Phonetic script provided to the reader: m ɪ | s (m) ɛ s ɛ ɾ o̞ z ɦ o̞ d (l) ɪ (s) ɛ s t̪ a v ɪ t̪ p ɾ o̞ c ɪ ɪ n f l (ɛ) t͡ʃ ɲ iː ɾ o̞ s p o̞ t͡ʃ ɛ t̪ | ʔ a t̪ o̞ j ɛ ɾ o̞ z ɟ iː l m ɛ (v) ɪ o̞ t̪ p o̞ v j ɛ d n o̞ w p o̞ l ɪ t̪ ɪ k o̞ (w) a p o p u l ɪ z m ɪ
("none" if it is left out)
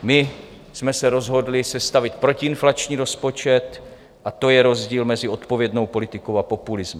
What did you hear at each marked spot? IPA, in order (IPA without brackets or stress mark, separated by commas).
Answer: m, l, s, a, z, w